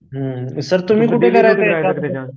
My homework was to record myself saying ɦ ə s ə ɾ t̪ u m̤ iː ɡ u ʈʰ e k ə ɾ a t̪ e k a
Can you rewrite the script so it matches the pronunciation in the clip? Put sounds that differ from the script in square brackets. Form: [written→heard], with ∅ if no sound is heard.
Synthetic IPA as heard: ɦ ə s ə ɾ t̪ u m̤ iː [ɡ→k] u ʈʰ e k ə ɾ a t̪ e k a